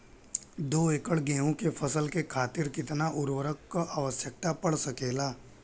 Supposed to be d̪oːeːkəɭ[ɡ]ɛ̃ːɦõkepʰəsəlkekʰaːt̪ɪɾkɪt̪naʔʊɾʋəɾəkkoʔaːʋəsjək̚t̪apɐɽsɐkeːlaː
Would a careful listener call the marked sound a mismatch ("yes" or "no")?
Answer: no